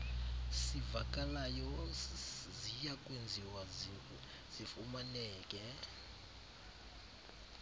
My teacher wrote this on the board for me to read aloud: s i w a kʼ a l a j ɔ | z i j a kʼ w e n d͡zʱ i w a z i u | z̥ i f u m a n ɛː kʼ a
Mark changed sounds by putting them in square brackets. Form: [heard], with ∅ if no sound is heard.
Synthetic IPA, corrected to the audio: s i [v] a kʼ a l a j ɔ | z i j a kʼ w e n d͡zʱ i w a z i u | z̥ i f u m a n ɛː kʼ [ɛ]